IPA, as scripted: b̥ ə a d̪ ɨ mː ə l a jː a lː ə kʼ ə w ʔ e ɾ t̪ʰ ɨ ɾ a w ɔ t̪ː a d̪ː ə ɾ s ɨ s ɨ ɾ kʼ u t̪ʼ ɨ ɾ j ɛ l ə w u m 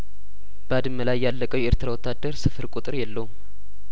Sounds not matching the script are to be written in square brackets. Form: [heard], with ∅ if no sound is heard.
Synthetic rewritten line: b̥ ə a d̪ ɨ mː ə l a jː a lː ə kʼ ə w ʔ e ɾ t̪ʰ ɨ ɾ a w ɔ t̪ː a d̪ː ə ɾ s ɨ [f] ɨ ɾ kʼ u t̪ʼ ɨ ɾ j ɛ [lː] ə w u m

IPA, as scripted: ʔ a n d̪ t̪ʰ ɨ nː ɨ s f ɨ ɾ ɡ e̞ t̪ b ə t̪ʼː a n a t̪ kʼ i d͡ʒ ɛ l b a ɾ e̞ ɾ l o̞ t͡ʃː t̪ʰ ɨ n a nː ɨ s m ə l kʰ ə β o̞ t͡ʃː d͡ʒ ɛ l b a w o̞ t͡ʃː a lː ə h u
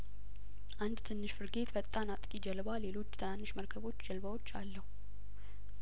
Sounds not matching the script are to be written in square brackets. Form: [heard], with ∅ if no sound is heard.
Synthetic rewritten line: ʔ a n d̪ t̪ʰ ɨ nː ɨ [ʃ] f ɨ ɾ ɡ e̞ t̪ b ə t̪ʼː a n a [t̪ʼ] kʼ i d͡ʒ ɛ l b a [l] e̞ [∅] l o̞ t͡ʃː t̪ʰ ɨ n a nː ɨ [ʃ] m ə [ɾ] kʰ ə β o̞ t͡ʃː d͡ʒ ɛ l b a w o̞ t͡ʃː a lː ə h u

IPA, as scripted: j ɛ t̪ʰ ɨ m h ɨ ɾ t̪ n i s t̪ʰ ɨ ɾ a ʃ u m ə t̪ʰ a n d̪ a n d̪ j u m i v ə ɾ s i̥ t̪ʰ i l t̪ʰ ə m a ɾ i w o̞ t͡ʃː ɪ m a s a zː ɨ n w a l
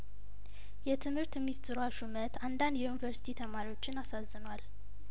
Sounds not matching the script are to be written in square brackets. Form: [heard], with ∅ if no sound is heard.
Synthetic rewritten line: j ɛ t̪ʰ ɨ m h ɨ ɾ t̪ [m] i s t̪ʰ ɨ ɾ a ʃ u m ə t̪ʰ a n d̪ a n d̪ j u [n] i v ə ɾ s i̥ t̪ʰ i [∅] t̪ʰ ə m a ɾ i w o̞ t͡ʃː ɪ [n] a s a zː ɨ n w a l

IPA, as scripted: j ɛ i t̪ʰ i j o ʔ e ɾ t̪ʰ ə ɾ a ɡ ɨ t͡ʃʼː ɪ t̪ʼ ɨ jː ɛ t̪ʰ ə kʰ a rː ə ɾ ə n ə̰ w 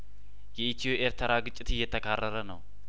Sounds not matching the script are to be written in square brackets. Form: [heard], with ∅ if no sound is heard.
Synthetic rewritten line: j ɛ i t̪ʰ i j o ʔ e ɾ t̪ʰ ə ɾ a ɡ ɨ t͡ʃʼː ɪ [t̪] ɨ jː ɛ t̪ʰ ə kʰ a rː ə ɾ ə n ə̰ w

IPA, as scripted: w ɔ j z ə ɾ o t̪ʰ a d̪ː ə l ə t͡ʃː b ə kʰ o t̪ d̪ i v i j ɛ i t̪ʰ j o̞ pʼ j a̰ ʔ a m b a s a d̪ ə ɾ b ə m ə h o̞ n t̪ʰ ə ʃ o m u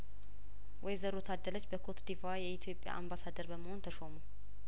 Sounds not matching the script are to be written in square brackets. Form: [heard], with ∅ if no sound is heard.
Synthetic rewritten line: w ɔ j z ə ɾ o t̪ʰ a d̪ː ə l ə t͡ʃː b ə kʰ o t̪ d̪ i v [a] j ɛ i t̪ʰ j o̞ pʼ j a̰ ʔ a m b a s a d̪ ə ɾ b ə m ə h o̞ n t̪ʰ ə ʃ o m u

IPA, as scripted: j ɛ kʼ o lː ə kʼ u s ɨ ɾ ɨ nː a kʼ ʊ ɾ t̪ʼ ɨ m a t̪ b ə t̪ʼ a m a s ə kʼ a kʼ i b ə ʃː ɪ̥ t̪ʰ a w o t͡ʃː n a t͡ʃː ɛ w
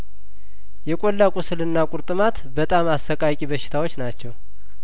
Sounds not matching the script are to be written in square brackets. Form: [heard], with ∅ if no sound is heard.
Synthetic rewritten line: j ɛ kʼ o lː [a] kʼ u s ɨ [l] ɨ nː a kʼ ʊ ɾ t̪ʼ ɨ m a t̪ b ə t̪ʼ a m a s ə kʼ a kʼ i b ə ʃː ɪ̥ t̪ʰ a w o t͡ʃː n a t͡ʃː ɛ w

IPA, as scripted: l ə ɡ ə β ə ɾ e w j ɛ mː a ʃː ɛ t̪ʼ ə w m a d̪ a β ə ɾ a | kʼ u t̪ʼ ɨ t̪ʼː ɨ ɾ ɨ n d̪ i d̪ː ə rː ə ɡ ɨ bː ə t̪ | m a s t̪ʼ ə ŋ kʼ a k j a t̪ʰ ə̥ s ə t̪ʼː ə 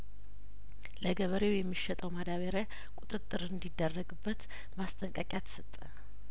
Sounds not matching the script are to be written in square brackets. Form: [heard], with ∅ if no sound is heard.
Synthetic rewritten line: l ə ɡ ə β ə ɾ e w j ɛ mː [i] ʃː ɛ t̪ʼ ə w m a d̪ a β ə ɾ a | kʼ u t̪ʼ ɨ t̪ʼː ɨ ɾ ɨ n d̪ i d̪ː ə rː ə ɡ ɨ bː ə t̪ | m a s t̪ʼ ə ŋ kʼ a [kʼ] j a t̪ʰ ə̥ s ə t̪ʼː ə

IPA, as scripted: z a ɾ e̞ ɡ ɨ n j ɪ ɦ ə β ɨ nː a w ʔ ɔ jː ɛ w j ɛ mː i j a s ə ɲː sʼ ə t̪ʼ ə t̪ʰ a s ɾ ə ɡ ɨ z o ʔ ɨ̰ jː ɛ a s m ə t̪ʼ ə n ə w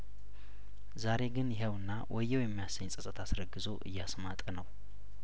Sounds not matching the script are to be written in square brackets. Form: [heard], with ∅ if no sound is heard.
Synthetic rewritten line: z a ɾ e̞ ɡ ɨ n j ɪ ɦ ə [w] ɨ nː a w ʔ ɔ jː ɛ w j ɛ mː i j a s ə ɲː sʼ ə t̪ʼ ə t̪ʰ a s ɾ ə ɡ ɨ z o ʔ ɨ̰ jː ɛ a s m [a] t̪ʼ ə n ə w

